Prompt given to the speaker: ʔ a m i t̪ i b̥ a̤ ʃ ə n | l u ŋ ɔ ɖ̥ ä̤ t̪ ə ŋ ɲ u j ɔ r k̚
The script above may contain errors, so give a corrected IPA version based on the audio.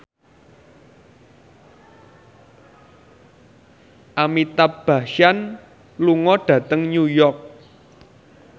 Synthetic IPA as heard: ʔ a m i t̪ a b̥ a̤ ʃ a n | l u ŋ ɔ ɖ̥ ä̤ t̪ ə ŋ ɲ u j ɔ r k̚